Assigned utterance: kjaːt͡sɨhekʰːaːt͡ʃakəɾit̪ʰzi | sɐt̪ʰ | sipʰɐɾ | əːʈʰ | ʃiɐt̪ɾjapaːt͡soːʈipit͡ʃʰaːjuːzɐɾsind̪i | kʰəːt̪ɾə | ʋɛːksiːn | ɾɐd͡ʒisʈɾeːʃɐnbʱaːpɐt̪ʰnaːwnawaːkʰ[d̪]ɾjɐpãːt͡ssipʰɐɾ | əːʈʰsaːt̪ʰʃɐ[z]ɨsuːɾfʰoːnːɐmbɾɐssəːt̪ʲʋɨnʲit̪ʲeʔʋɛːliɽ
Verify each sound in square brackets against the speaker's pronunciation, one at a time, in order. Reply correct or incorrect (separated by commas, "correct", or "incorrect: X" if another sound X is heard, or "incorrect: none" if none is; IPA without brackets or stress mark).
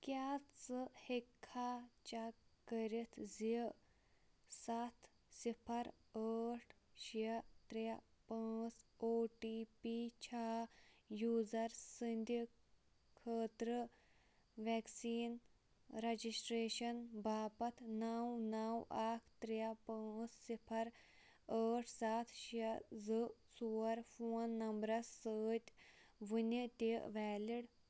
incorrect: t̪, correct